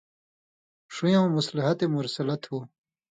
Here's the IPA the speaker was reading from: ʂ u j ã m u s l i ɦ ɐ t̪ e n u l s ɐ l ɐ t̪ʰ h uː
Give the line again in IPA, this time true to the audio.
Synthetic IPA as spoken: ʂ u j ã m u s l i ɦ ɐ t̪ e m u ɾ s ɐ l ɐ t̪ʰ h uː